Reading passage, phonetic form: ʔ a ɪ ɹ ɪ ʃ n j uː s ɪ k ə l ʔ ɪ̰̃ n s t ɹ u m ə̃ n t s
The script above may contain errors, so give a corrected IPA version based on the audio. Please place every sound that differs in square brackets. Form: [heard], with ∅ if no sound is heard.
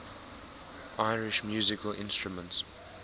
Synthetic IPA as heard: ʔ a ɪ ɹ ɪ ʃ [m] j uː [z] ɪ k ə l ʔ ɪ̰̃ n s t ɹ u m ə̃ n t s